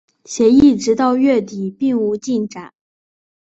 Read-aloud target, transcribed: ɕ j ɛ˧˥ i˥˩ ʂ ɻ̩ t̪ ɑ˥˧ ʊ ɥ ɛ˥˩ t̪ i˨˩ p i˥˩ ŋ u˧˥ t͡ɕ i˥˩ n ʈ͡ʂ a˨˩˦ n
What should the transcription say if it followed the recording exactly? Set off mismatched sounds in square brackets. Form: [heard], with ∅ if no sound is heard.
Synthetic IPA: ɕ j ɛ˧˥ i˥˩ [ʈ͡ʂ] ɻ̩ t̪ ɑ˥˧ ʊ ɥ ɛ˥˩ t̪ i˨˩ p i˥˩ ŋ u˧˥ t͡ɕ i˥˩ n ʈ͡ʂ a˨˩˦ n